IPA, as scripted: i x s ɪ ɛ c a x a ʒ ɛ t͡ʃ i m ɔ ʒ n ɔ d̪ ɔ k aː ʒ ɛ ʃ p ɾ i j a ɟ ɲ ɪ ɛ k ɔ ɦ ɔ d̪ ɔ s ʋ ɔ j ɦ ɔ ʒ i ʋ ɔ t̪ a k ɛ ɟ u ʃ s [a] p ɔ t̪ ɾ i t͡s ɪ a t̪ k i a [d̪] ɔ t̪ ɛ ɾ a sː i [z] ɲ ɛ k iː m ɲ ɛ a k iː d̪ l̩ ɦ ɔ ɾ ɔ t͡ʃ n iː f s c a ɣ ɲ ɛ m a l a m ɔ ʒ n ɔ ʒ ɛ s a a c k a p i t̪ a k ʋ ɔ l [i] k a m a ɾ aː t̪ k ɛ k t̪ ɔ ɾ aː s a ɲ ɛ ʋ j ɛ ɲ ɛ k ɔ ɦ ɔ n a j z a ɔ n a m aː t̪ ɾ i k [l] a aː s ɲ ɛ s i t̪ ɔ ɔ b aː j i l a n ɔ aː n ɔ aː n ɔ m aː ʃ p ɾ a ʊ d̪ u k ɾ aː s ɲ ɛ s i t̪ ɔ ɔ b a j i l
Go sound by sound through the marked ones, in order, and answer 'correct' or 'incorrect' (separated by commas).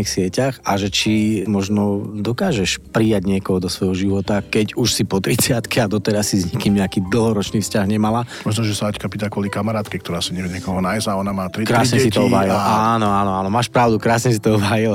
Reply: incorrect, correct, correct, correct, incorrect